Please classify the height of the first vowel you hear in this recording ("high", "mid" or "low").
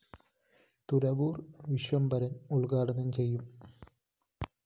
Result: high